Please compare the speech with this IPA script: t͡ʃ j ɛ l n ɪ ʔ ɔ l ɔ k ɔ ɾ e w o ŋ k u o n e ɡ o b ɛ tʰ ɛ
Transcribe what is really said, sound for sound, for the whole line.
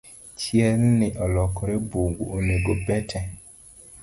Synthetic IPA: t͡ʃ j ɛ l n ɪ ʔ ɔ l ɔ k ɔ ɾ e b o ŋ ɡ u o n e ɡ o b ɛ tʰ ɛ